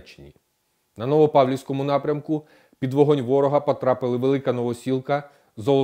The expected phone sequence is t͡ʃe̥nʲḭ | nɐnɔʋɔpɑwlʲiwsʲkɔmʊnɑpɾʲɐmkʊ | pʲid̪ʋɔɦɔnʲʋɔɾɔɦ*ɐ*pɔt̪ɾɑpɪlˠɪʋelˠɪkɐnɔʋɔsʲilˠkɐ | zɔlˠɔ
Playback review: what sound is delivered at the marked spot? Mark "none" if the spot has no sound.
ɐ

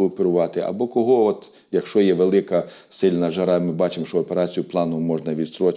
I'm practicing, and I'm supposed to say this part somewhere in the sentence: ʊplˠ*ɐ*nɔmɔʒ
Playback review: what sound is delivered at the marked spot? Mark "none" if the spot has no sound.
ɑ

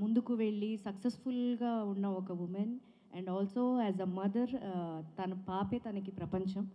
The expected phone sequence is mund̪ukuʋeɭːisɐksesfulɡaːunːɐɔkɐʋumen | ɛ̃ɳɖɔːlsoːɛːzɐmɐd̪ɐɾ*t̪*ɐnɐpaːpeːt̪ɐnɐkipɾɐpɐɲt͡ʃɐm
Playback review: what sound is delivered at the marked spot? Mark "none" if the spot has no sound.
t̪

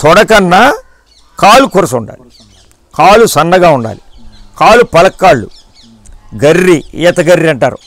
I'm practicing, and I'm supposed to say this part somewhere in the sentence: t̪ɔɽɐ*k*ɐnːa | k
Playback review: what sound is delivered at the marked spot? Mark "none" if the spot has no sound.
k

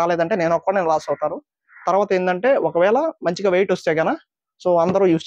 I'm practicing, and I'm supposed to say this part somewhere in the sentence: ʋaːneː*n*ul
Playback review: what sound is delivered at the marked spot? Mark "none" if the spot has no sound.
n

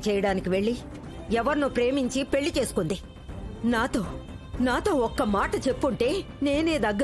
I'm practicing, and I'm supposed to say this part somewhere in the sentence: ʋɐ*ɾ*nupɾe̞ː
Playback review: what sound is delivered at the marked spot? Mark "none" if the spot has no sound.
ɾ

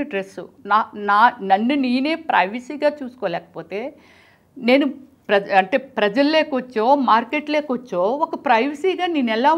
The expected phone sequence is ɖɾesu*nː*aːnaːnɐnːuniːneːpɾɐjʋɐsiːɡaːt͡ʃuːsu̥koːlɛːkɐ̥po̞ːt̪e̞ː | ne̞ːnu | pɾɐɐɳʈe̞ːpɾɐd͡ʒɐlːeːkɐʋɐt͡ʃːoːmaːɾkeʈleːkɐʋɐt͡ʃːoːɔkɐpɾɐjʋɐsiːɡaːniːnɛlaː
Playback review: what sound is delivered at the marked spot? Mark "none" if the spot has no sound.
n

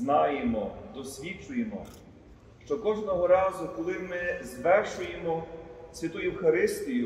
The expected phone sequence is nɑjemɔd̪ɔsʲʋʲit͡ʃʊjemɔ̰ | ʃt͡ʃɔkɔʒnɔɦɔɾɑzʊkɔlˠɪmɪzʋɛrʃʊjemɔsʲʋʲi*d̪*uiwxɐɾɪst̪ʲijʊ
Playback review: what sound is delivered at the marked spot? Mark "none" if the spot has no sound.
t̪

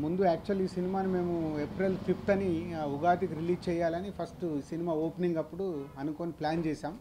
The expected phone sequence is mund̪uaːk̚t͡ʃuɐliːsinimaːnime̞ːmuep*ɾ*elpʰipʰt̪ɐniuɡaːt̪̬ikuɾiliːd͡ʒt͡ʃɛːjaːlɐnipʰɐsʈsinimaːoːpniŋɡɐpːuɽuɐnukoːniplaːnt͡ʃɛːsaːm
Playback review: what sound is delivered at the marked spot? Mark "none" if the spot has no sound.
ɾ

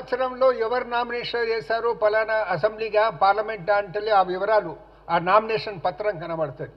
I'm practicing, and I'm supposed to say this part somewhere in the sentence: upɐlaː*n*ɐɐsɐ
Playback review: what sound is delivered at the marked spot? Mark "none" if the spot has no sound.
n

